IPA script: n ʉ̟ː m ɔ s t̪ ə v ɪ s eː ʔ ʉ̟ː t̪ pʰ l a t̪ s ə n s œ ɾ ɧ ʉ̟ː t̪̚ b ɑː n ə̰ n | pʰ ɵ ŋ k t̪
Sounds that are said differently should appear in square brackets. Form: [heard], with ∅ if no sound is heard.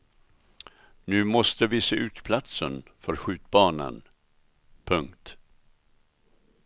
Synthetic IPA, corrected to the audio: n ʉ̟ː m ɔ s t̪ ə v ɪ s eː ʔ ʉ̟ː t̪ pʰ l a t̪ s ə n [f] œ ɾ ɧ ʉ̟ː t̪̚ b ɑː n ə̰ n | pʰ ɵ ŋ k t̪